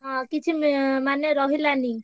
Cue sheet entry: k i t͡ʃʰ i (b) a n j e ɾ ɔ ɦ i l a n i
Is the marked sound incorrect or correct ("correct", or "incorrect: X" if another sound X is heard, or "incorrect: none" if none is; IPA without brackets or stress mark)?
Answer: incorrect: m